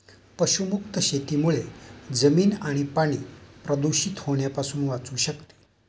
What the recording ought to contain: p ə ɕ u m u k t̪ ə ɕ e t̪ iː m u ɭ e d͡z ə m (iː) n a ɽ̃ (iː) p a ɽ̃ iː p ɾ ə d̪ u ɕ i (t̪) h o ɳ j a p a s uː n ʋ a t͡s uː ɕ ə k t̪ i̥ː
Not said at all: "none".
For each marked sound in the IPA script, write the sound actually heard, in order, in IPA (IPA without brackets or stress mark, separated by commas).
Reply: iː, i, t̪